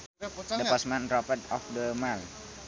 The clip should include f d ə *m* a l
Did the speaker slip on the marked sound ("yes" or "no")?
no